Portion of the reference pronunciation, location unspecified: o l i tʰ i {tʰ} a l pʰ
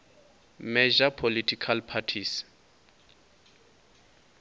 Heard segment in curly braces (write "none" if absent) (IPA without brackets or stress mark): kʰ